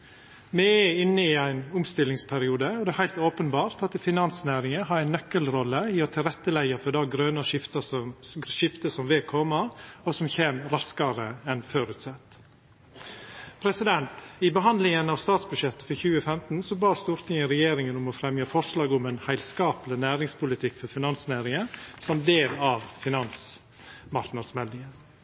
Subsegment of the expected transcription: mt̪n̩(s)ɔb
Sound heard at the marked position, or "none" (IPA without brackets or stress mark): s